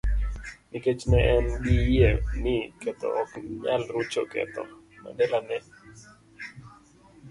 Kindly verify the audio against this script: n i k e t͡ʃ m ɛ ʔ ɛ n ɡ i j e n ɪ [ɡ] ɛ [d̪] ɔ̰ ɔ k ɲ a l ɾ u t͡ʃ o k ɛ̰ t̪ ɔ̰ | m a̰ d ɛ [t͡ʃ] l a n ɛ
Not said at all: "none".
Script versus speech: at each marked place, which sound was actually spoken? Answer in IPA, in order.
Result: k, t̪, none

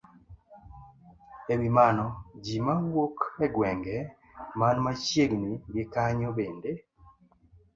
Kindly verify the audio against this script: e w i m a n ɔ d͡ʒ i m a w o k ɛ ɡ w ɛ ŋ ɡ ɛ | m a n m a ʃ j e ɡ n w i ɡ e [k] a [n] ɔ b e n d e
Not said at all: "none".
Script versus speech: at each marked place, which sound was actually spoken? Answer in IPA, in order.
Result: k, ɲ

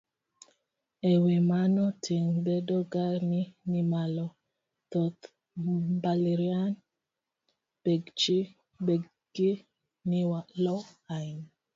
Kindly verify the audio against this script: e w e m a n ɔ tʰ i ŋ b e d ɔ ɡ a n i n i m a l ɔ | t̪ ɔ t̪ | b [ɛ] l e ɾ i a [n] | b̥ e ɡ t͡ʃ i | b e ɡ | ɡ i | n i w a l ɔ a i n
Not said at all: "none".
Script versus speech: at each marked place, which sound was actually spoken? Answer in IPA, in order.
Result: a, n

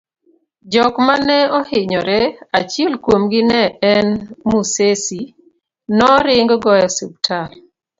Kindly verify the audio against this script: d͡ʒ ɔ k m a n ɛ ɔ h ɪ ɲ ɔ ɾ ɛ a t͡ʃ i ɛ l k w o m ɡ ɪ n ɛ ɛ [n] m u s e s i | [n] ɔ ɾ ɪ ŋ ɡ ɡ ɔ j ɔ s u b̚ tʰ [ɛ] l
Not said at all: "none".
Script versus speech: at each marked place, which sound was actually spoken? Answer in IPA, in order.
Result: n, n, a

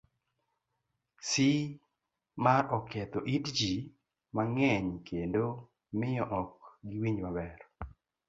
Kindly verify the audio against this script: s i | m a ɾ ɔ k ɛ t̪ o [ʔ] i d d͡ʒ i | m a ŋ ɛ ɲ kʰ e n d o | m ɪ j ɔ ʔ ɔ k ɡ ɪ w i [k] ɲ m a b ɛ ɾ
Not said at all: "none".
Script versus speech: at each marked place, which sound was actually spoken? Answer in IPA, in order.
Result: ʔ, none

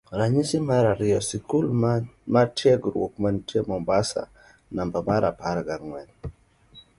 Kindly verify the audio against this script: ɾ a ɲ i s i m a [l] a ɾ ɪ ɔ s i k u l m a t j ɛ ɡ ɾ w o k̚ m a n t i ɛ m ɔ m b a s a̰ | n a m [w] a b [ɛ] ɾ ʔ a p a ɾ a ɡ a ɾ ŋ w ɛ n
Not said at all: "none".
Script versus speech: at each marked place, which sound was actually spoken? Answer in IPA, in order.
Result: ɾ, b, a

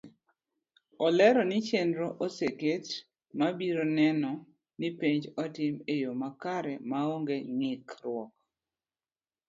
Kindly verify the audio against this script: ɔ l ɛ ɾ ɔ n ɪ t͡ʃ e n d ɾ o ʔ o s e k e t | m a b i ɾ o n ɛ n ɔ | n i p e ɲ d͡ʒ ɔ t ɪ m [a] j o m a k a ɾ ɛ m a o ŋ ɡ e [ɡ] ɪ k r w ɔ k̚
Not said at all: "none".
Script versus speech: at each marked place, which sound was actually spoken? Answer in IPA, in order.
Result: e, ŋ

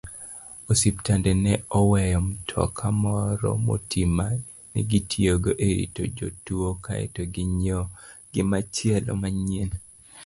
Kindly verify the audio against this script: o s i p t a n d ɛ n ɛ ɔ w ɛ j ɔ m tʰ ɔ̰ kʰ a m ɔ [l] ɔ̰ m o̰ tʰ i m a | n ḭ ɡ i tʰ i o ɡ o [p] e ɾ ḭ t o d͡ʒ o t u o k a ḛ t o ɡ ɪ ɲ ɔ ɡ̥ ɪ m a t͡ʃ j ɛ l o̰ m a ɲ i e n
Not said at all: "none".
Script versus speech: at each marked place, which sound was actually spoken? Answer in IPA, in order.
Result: ɾ, ʔ

